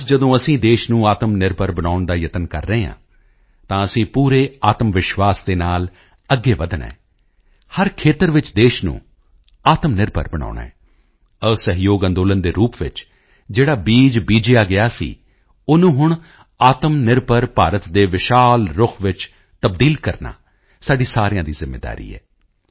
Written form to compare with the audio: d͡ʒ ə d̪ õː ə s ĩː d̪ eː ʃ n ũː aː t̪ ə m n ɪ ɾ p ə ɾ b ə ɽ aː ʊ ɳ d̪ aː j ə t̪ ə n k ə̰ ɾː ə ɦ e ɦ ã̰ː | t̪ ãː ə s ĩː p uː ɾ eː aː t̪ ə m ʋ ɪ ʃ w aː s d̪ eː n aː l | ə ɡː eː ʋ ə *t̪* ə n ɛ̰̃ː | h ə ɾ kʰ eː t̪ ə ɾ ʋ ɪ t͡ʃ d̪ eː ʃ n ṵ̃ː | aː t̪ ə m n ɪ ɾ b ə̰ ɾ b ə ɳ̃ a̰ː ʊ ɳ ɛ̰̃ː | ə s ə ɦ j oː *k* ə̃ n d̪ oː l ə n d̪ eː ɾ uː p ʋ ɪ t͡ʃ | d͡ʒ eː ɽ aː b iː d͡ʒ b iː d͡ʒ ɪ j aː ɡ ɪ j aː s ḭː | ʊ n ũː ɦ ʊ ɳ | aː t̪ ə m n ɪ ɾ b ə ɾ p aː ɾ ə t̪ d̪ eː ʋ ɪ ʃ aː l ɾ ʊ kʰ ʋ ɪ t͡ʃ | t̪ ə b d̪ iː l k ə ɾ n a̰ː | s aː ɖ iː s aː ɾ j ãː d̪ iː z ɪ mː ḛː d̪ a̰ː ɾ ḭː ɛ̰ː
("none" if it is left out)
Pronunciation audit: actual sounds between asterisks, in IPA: d̪, ɡ

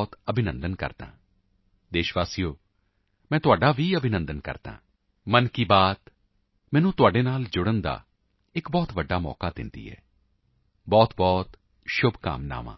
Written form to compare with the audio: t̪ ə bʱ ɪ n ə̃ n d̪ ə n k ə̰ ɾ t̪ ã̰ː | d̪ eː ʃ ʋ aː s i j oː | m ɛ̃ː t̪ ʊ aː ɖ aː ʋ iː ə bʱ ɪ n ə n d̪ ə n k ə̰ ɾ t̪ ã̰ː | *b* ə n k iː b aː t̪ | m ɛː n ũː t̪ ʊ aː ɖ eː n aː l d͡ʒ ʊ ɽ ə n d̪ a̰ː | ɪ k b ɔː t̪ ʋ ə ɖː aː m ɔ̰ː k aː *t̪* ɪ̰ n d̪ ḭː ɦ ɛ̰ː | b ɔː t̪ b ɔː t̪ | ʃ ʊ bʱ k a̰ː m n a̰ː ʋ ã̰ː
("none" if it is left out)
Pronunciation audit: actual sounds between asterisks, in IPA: m, d̪

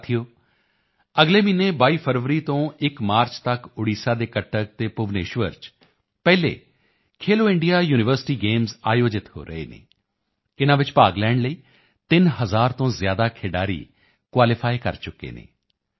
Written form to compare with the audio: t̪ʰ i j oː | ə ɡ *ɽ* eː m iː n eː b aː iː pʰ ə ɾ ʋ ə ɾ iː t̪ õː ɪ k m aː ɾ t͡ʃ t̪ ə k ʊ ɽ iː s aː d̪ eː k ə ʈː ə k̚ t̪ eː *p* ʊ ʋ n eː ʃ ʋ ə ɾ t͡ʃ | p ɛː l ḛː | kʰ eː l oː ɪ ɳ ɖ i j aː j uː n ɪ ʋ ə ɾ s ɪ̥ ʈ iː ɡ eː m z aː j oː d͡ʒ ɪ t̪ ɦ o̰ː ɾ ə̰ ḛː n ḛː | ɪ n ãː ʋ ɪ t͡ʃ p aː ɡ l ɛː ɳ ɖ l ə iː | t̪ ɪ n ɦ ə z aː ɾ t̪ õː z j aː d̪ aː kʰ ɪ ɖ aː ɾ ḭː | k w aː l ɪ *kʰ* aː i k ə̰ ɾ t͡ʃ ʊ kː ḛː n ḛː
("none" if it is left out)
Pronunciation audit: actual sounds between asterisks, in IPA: l, p, pʰ

